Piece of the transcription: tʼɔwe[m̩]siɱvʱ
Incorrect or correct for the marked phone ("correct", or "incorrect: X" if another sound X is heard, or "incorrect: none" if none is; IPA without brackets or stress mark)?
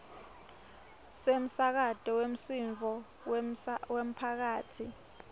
correct